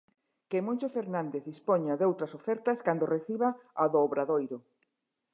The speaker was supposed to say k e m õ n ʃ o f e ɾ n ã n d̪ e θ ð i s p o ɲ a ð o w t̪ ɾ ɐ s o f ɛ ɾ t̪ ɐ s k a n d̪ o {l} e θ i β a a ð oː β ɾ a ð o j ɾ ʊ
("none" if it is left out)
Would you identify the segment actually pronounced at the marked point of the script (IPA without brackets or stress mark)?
r